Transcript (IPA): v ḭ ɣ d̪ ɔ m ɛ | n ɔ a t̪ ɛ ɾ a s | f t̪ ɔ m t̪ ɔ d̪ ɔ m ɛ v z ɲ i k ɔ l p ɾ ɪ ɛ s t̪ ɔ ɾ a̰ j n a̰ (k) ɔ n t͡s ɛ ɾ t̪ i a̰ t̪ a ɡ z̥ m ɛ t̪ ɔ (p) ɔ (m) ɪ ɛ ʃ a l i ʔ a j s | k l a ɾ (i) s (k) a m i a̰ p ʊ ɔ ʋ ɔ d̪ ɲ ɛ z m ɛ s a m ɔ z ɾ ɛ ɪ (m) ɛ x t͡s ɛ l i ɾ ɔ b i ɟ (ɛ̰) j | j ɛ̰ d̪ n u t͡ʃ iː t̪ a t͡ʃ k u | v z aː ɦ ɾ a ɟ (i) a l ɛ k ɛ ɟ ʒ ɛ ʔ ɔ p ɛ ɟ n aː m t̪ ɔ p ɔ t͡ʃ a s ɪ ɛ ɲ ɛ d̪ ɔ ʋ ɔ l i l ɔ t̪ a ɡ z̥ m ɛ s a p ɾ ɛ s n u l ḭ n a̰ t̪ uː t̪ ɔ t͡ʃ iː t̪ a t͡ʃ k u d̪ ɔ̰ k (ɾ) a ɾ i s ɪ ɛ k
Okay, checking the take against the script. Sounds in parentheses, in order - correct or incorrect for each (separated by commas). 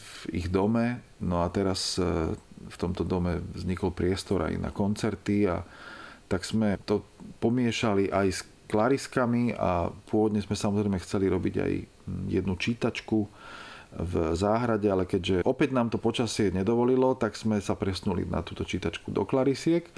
correct, correct, correct, correct, correct, correct, incorrect, incorrect, incorrect